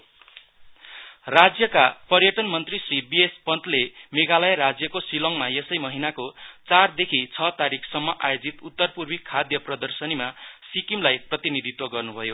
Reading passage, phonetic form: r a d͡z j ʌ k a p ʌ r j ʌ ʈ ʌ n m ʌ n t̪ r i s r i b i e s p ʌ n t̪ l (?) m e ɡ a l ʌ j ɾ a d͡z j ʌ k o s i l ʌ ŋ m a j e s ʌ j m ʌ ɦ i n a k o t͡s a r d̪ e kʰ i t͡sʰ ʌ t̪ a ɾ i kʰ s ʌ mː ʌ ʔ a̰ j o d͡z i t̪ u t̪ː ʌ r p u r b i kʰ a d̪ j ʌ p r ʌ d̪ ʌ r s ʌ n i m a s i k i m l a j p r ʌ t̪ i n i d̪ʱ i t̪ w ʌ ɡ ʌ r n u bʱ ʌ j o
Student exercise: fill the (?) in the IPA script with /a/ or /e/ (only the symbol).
e